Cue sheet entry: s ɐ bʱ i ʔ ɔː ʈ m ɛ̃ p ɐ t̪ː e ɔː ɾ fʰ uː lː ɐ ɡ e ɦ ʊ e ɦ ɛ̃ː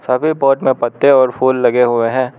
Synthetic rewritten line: s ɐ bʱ i p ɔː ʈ m ẽ p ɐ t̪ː e ɔː ɾ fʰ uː lː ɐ ɡ e ɦ ʊ e ɦ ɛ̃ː